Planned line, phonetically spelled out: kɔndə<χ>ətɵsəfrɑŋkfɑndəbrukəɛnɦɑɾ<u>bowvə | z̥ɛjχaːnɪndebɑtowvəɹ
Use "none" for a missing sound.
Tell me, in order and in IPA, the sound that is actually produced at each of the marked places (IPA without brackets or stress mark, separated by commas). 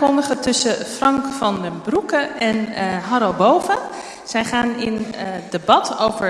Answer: χ, o